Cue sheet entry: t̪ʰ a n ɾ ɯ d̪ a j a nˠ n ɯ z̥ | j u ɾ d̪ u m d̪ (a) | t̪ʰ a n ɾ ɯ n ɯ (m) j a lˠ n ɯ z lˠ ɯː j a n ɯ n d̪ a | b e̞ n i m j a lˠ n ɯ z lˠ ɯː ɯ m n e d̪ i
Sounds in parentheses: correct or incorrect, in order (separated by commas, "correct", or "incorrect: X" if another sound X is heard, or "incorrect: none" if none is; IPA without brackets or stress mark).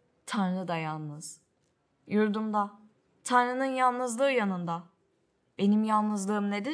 correct, incorrect: n